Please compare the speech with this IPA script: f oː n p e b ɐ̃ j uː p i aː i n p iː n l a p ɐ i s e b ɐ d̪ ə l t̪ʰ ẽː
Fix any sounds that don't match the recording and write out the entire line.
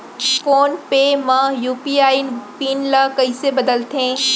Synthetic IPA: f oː n p e m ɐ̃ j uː p i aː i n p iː n l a k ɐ i s e b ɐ d̪ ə l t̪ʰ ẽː